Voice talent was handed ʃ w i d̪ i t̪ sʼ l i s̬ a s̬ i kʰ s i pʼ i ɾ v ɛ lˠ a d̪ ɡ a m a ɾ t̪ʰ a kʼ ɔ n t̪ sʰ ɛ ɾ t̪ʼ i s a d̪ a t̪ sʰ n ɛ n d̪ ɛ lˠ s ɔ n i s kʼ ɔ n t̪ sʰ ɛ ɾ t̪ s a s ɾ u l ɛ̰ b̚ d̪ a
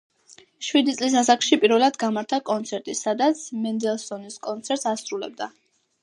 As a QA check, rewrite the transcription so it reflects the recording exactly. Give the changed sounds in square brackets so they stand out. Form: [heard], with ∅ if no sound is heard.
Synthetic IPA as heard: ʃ w i d̪ i t̪ sʼ l i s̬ a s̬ [a] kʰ [ʃ] i pʼ i ɾ v ɛ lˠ a d̪ ɡ a m a ɾ t̪ʰ a kʼ ɔ n t̪ sʰ ɛ ɾ t̪ʼ i s a d̪ a t̪ sʰ [m] ɛ n d̪ ɛ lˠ s ɔ n i s kʼ ɔ n t̪ sʰ ɛ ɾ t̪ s a s ɾ u l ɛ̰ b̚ d̪ a